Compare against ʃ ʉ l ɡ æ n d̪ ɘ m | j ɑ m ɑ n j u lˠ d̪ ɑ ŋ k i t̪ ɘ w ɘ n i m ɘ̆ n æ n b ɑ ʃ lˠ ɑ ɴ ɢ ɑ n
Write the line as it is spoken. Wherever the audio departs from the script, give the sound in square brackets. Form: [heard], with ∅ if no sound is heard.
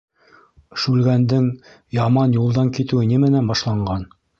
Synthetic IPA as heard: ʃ ʉ l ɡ æ n d̪ ɘ [ŋ] | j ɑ m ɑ n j u lˠ d̪ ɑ ŋ k i t̪ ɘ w ɘ n i m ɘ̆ n æ n b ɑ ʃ lˠ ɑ ɴ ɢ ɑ n